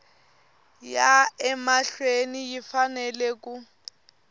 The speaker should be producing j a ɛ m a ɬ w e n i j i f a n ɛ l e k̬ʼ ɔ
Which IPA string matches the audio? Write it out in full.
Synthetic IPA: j a ɛ m a ɬ w e n i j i f a n ɛ l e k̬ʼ u